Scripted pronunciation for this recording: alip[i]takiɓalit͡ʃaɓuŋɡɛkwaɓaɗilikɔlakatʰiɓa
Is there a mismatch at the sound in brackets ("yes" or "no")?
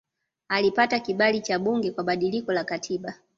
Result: yes